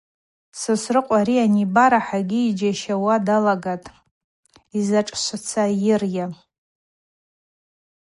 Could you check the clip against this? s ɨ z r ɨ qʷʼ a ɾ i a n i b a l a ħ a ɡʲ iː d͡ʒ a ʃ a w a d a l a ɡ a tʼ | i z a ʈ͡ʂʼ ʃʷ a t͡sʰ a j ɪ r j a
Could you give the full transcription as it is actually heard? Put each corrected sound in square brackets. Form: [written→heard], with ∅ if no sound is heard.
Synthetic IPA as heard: s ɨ [z→s] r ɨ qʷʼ a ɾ i a n i b a [l→ɾ] a ħ a ɡʲ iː d͡ʒ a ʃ a w a d a l a ɡ a tʼ | i z a ʈ͡ʂʼ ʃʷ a t͡sʰ a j ɪ r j a